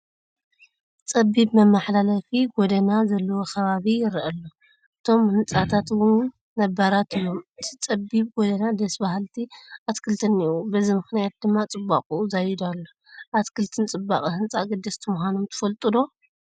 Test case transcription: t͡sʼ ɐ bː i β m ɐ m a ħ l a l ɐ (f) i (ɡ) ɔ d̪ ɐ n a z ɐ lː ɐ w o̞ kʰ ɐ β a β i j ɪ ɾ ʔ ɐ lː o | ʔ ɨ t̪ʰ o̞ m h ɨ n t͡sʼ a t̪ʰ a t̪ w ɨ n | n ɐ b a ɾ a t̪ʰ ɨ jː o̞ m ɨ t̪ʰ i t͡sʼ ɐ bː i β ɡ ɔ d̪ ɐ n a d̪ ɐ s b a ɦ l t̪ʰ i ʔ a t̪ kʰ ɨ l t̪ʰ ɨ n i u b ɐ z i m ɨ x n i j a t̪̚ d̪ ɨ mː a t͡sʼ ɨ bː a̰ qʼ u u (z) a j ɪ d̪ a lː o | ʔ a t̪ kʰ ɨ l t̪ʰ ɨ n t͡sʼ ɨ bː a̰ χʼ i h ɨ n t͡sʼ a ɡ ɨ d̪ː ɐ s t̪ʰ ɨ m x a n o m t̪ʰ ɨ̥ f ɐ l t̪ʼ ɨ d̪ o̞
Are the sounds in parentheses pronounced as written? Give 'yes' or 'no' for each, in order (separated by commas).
yes, yes, yes